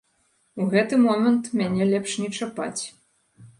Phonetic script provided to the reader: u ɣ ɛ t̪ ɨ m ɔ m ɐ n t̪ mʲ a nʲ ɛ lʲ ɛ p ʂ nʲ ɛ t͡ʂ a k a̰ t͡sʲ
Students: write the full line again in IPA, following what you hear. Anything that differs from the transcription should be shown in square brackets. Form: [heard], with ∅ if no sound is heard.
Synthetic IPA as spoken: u ɣ ɛ t̪ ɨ m ɔ m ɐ n t̪ mʲ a nʲ ɛ lʲ ɛ p ʂ nʲ ɛ t͡ʂ a [p] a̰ t͡sʲ